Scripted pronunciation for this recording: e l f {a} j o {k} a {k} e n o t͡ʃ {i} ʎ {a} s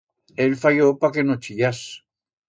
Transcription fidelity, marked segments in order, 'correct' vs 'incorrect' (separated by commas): correct, incorrect, correct, correct, correct